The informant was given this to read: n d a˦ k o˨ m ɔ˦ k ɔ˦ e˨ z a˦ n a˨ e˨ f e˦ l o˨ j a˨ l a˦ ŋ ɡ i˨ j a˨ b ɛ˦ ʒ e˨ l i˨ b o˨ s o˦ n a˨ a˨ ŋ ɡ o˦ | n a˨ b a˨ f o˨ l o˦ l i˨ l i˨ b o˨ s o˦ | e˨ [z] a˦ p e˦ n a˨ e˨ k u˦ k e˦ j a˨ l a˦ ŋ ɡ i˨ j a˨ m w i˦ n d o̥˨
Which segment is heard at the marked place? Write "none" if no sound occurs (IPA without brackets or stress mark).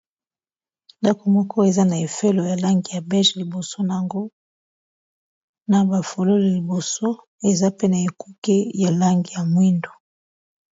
z